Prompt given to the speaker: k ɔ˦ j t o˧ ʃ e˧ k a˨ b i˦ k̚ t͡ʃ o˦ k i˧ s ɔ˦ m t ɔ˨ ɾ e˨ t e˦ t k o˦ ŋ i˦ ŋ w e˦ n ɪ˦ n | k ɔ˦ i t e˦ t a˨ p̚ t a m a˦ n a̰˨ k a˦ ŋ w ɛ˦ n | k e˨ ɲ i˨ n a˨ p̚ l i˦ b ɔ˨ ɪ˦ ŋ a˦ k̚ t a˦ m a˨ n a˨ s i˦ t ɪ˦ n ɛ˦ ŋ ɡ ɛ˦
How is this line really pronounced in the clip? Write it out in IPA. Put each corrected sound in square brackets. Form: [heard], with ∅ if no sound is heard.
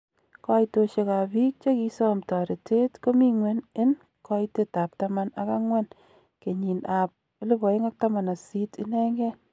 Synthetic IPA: k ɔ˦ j t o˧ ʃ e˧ k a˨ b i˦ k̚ t͡ʃ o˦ k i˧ s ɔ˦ m t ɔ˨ ɾ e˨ t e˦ t k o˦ [m] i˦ ŋ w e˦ n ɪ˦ n | k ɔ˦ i t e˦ t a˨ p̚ t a m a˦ n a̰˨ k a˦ ŋ w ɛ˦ n | k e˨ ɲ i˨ n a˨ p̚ l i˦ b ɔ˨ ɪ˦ ŋ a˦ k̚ t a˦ m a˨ n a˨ s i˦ t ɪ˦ n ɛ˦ ŋ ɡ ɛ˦